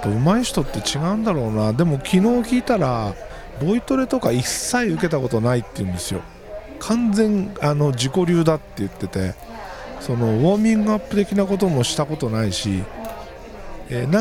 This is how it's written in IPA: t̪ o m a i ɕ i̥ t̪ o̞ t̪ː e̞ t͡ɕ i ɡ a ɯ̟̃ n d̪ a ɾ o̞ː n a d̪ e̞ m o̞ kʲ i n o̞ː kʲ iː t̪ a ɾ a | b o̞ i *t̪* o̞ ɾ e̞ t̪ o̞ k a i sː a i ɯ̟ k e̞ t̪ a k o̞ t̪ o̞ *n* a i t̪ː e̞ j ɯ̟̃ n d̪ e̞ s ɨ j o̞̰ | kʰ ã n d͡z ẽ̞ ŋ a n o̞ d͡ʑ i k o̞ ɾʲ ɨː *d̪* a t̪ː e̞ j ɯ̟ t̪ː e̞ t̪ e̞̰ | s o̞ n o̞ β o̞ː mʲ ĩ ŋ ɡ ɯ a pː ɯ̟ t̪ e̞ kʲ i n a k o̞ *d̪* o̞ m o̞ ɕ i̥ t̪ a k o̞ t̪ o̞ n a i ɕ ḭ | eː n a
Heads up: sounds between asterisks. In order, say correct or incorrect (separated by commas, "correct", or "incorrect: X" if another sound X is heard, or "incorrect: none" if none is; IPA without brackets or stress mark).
correct, correct, correct, incorrect: t̪